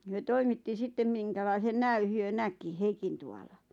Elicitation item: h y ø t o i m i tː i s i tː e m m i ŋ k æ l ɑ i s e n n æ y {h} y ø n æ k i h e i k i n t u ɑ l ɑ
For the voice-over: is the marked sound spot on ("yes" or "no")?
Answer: yes